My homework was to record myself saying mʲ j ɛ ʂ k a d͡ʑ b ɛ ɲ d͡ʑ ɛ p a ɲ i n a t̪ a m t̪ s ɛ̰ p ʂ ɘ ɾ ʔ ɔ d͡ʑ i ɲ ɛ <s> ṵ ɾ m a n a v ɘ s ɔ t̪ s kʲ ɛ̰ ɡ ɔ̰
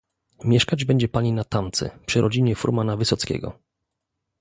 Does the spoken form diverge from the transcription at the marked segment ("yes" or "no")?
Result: yes